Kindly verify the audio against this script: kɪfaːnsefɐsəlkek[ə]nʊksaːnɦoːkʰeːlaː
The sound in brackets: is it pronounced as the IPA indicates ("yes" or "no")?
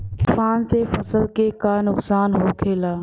no